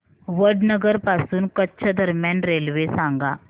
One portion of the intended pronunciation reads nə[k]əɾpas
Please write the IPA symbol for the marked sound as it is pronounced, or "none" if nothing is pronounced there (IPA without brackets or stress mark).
ɡ